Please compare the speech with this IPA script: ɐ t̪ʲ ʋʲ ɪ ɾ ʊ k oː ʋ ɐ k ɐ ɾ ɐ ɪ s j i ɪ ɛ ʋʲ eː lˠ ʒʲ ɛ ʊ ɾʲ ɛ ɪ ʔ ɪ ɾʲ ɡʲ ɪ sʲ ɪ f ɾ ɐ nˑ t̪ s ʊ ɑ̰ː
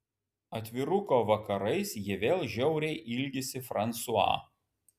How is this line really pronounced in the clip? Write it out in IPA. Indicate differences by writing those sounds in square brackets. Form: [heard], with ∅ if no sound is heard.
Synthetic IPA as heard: ɐ t̪ʲ ʋʲ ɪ ɾ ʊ k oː ʋ ɐ k ɐ ɾ ɐ ɪ s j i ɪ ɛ ʋʲ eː lˠ ʒʲ ɛ ʊ ɾʲ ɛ ɪ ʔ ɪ [lʲ] ɡʲ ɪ sʲ ɪ f ɾ ɐ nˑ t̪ s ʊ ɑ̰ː